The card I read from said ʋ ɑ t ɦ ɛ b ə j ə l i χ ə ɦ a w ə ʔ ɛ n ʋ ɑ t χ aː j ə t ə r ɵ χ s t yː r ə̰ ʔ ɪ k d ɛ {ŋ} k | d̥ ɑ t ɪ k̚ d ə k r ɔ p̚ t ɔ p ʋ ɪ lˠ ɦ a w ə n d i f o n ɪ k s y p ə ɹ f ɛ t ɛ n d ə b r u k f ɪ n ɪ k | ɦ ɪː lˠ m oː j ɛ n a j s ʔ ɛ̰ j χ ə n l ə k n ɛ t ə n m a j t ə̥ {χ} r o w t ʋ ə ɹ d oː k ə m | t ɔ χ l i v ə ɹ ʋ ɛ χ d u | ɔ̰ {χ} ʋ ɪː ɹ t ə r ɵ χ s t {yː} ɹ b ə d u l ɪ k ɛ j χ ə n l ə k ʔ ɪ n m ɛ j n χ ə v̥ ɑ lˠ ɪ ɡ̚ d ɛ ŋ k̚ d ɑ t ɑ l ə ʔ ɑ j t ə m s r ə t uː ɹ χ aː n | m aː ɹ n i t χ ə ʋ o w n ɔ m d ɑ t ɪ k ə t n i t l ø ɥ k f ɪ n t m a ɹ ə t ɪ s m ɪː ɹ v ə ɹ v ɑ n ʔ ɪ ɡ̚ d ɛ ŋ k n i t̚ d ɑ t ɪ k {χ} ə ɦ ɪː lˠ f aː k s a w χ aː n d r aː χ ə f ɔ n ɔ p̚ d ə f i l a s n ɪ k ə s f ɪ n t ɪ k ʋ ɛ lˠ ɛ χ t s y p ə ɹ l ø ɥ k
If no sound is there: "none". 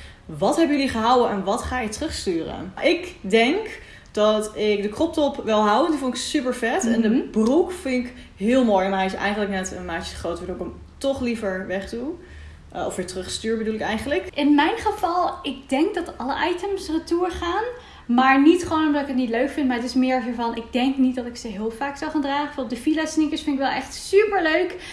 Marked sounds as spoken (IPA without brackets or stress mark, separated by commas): ŋ, χ, f, yː, s